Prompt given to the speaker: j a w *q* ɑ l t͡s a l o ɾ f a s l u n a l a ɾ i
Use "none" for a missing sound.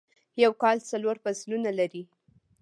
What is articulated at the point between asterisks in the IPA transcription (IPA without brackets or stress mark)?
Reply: k